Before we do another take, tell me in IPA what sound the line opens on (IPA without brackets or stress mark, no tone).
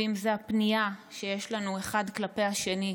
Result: i